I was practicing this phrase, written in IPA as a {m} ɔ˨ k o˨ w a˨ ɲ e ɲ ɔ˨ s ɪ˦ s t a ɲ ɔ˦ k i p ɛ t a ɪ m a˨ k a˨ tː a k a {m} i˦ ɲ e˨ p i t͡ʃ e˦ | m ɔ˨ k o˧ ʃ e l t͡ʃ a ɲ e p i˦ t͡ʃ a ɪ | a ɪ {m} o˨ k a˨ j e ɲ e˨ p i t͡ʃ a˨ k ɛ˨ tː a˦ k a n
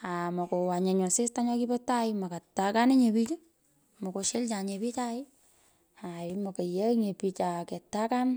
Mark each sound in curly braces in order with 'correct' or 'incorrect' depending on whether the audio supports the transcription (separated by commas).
correct, incorrect, correct